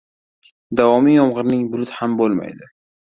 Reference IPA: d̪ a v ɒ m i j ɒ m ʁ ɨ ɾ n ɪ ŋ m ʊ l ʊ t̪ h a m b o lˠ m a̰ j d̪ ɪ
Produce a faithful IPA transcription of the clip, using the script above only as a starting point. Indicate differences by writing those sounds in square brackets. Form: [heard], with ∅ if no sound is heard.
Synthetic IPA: d̪ a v ɒ m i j ɒ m ʁ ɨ ɾ n ɪ ŋ [b] ʊ l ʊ t̪ h a m b o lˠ m a̰ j d̪ ɪ